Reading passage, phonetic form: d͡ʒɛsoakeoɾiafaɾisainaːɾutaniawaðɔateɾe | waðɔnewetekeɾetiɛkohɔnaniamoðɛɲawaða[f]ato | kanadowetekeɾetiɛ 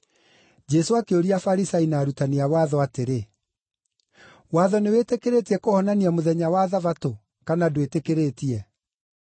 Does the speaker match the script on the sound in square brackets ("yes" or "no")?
no